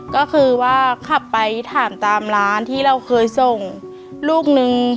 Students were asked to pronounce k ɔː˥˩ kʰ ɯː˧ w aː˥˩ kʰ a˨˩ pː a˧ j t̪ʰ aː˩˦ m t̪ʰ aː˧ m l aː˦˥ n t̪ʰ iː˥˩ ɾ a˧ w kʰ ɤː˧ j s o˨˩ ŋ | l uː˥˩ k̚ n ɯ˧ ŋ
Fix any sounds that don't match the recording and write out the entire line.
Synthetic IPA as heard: k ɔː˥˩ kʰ ɯː˧ w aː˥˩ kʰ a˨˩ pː a˧ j t̪ʰ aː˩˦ m t̪ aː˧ m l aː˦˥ n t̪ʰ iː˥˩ ɾ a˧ w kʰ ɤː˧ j s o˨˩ ŋ | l uː˥˩ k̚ n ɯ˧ ŋ